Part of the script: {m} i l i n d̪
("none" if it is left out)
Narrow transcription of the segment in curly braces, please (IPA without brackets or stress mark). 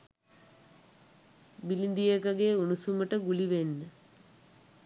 b